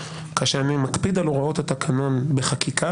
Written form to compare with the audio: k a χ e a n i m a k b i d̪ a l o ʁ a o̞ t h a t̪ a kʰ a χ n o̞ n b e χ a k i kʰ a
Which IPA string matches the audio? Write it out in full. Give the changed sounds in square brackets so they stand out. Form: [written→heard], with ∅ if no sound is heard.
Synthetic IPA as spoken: k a [χ→ʃ] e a n i m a k [b→p] i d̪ a l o ʁ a o̞ t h a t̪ a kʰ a [χ→∅] n o̞ n b e χ a k i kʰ a